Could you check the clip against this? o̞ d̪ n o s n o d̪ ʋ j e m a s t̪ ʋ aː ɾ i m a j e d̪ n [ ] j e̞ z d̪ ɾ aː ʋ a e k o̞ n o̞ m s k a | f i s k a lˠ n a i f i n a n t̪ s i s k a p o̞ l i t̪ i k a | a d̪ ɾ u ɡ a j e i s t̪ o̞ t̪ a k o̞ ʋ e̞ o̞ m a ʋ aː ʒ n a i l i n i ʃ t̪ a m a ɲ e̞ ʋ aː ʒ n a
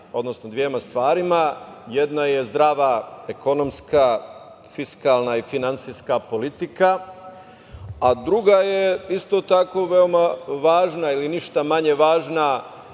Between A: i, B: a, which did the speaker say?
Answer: B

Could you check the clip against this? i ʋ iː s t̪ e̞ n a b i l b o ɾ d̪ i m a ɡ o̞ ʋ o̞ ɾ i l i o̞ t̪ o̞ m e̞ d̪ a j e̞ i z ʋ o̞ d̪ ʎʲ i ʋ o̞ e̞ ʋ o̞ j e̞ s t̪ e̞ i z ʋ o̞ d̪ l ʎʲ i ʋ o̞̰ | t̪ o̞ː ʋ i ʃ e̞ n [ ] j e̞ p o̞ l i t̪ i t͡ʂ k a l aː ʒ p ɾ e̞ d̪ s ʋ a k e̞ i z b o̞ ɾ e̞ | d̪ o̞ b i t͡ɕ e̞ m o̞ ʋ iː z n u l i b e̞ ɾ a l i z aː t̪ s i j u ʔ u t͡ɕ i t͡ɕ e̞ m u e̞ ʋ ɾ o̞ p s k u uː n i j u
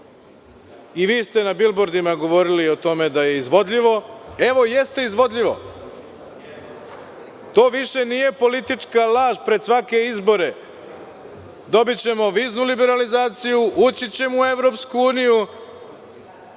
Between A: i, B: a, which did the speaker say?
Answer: A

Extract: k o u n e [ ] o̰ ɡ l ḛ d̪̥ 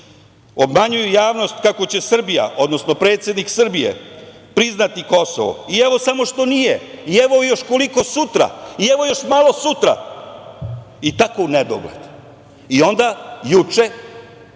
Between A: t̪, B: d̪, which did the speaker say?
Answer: B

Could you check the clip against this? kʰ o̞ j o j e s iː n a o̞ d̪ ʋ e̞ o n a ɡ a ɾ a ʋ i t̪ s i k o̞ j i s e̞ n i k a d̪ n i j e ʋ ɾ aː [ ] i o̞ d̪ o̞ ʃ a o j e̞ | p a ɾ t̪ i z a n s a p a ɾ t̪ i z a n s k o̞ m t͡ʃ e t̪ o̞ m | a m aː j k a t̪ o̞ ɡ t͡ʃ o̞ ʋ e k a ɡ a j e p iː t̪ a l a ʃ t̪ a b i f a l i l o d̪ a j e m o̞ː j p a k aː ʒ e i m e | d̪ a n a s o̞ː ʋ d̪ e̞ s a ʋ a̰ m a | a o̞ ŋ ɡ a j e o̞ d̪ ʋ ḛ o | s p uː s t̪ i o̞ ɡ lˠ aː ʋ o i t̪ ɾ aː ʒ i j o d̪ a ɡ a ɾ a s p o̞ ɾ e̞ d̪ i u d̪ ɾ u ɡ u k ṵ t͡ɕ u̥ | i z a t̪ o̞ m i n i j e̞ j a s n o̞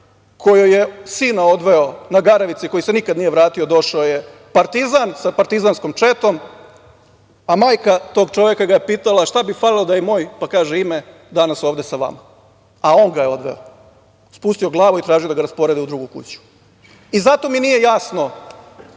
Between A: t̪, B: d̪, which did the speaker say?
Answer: A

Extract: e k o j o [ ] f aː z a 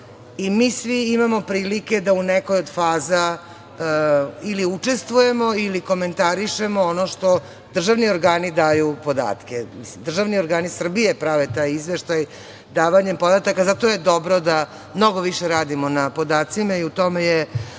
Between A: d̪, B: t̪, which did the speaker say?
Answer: A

